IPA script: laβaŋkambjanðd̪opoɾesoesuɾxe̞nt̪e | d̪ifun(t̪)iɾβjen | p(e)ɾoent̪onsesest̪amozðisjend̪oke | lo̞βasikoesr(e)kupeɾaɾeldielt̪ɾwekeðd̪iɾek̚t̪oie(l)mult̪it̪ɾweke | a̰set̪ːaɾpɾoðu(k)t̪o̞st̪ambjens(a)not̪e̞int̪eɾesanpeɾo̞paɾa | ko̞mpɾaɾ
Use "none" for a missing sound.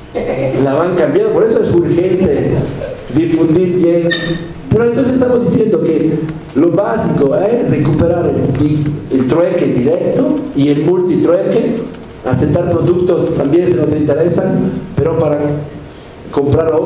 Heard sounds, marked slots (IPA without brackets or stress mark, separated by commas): d̪, e, e, l, k, e